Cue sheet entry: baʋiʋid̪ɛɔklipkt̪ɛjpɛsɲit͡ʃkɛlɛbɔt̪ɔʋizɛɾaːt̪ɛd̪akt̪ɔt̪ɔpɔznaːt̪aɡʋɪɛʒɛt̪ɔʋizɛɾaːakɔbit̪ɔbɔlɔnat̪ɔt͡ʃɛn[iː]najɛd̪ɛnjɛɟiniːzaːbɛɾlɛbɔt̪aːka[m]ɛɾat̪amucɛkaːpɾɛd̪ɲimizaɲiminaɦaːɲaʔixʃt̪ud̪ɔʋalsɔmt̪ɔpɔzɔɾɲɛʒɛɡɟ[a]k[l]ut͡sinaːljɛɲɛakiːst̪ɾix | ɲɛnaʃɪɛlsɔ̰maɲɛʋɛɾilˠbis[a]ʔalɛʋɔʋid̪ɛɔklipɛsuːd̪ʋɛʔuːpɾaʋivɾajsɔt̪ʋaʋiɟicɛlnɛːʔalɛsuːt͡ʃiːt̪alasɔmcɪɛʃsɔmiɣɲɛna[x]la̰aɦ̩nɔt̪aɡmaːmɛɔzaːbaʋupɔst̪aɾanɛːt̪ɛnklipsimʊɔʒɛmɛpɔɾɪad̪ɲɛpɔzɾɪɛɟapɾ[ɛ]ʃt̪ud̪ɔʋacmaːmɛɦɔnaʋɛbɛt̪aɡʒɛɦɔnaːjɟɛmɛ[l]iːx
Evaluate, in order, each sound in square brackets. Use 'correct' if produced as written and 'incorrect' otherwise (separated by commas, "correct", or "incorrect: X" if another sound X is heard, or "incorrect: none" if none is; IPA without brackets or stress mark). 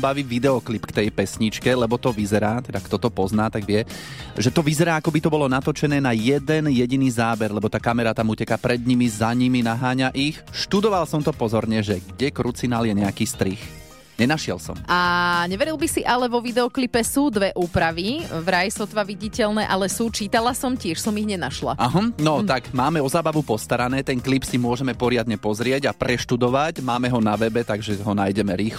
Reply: incorrect: ɛː, correct, incorrect: ɛ, incorrect: ɾ, incorrect: i, incorrect: ʃ, correct, incorrect: ɾ